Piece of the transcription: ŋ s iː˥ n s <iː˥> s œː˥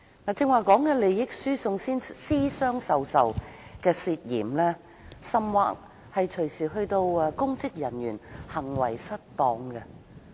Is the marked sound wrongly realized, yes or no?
no